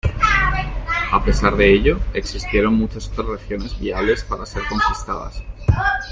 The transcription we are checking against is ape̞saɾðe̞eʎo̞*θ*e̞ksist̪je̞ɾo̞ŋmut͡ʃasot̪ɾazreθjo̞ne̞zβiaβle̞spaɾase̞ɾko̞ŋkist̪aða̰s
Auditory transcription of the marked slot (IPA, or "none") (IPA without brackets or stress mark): none